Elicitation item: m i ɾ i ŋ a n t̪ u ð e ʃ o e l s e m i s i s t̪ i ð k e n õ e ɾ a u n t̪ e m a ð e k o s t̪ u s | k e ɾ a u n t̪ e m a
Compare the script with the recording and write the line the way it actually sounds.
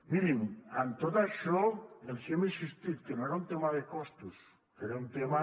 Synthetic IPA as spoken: m i ɾ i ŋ a n t̪ o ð a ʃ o e l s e m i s i s t̪ i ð k e n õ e ɾ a u n t̪ e m a ð e k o s t̪ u s | k e ɾ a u n t̪ e m a